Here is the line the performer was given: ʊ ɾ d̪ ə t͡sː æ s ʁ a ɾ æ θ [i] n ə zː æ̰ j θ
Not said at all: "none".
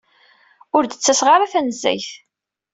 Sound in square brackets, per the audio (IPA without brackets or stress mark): æ